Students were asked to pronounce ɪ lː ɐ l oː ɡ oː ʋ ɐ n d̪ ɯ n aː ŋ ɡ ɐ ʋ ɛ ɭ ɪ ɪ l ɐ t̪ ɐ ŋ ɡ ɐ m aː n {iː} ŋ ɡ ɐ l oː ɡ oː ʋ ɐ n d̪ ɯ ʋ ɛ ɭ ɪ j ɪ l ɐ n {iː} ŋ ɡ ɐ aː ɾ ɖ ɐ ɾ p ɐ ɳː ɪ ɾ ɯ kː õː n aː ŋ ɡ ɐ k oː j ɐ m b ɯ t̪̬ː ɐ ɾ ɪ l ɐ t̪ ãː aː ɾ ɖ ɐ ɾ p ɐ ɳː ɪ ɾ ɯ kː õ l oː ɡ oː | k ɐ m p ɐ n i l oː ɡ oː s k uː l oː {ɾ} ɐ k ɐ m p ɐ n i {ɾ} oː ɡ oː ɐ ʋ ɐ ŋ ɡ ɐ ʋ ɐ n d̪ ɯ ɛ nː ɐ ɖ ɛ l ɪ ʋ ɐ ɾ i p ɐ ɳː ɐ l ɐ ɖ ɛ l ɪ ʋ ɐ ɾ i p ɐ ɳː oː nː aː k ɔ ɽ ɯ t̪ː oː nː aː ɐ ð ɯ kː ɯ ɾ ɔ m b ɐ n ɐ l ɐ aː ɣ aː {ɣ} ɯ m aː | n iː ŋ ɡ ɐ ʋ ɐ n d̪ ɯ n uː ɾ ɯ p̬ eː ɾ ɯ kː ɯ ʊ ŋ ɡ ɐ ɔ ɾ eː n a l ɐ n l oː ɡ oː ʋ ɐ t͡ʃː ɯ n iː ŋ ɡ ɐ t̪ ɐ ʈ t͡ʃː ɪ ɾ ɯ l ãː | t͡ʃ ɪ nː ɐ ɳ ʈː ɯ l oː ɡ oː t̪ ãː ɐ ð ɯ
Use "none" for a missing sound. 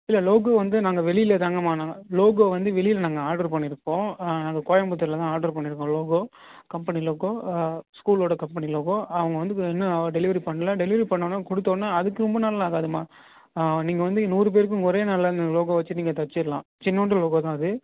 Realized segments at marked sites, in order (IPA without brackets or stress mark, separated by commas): aː, aː, ɽ, l, ð